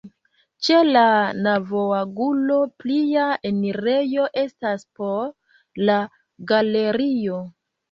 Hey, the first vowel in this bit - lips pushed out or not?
no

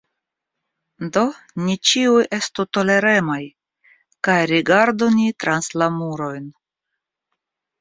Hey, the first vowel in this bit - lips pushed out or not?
yes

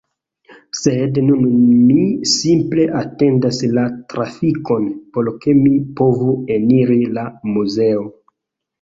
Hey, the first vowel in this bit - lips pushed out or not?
no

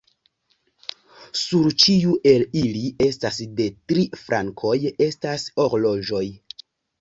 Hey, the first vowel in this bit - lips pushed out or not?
yes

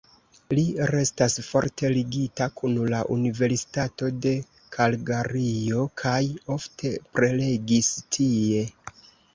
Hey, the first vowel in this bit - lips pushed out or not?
no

